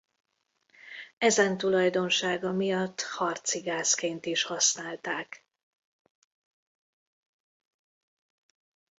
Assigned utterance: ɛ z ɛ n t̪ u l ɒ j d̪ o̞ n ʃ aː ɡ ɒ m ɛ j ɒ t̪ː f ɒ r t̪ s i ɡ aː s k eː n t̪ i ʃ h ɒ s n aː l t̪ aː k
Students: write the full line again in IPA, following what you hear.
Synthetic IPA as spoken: ɛ z ɛ n t̪ u l ɒ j d̪ o̞ n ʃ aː ɡ ɒ m i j ɒ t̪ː h ɒ r t̪ s i ɡ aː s k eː n t̪ i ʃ h ɒ s n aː l t̪ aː k